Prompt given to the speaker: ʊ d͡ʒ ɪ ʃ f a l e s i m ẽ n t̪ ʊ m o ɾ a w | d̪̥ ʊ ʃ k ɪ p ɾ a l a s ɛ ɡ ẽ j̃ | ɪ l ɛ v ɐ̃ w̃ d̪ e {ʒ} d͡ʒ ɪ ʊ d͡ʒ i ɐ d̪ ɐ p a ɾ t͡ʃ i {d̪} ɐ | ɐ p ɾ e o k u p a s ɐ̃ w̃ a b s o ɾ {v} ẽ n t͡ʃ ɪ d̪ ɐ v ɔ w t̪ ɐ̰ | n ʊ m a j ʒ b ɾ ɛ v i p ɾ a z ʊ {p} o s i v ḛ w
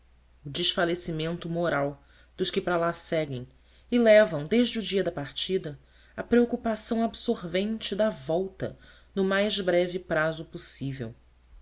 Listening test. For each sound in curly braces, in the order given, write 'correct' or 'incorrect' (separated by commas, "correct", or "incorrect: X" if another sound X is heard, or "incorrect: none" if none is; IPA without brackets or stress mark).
correct, correct, correct, correct